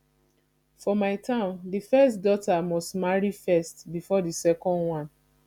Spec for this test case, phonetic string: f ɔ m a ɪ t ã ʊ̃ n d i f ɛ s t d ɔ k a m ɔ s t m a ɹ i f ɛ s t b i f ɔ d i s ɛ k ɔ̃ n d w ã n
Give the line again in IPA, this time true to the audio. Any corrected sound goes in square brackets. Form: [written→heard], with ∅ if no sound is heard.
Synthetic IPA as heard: f ɔ m a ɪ t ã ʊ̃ n d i f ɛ s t d ɔ [k→t] a m ɔ s t m a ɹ i f ɛ s t b i f ɔ d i s ɛ k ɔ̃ n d w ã n